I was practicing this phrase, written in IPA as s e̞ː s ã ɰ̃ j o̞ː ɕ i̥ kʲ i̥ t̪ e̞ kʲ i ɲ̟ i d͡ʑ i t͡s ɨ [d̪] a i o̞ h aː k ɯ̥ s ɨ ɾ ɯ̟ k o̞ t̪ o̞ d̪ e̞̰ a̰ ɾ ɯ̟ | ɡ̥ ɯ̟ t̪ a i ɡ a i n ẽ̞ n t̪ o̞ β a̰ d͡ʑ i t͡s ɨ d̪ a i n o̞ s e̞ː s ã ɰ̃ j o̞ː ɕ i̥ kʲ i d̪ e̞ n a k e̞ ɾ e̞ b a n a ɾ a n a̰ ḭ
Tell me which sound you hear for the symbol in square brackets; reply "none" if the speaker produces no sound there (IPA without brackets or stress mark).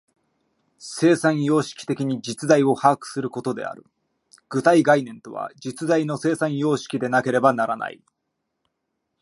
d̪